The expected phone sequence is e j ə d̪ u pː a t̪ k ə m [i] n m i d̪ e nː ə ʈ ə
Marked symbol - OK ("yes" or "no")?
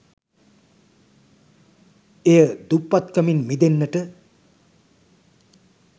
yes